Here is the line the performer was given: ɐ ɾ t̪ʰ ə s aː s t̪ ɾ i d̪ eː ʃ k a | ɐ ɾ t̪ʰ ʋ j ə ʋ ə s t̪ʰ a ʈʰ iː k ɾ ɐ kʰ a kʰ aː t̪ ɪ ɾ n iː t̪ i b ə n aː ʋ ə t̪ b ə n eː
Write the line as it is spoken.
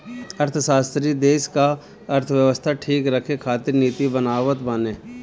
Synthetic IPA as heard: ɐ ɾ t̪ʰ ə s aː s t̪ ɾ i d̪ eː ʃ k a | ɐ ɾ t̪ʰ ʋ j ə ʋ ə s t̪ʰ a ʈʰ iː k ɾ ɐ kʰ e kʰ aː t̪ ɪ ɾ n iː t̪ i b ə n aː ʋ ə t̪ b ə n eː